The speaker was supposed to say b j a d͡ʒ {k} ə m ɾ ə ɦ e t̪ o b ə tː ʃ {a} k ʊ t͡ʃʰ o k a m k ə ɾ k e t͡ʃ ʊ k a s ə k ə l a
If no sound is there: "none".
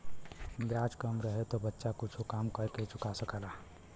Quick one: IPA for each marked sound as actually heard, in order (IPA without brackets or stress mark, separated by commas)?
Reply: k, a